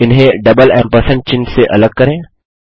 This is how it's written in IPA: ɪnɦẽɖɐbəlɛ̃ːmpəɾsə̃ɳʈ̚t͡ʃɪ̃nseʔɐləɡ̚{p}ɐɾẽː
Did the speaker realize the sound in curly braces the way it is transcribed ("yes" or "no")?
no